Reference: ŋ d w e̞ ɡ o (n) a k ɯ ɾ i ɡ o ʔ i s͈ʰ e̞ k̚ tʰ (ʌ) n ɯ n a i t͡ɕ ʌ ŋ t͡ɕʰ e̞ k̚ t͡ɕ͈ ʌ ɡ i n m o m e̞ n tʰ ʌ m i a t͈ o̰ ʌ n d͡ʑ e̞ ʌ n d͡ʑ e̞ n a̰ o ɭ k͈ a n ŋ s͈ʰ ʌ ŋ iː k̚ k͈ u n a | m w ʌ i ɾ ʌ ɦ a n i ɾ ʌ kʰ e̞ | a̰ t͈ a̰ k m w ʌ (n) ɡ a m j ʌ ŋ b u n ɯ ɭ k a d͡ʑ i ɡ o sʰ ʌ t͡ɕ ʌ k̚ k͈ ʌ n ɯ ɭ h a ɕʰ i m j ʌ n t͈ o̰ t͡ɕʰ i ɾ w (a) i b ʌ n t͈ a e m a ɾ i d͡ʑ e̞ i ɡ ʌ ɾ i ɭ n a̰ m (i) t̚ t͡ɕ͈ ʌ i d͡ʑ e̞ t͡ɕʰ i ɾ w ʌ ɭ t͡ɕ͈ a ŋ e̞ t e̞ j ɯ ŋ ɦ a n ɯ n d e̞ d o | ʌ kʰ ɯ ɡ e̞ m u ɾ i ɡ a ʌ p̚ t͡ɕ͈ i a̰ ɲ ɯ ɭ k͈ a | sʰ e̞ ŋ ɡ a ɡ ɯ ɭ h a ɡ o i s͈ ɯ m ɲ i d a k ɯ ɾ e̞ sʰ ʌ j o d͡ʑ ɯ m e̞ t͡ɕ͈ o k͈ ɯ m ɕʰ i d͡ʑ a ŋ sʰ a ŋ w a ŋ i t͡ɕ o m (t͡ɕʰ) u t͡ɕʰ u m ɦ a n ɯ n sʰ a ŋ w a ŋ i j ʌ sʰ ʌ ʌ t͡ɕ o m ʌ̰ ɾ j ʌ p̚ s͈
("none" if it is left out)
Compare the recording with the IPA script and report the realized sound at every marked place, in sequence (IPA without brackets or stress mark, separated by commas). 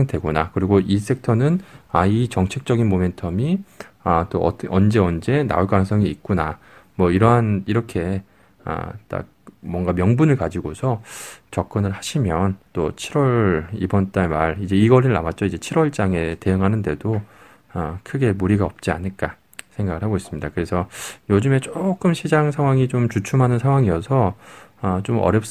n, ʌ, ŋ, ʌ, a, t͡ɕ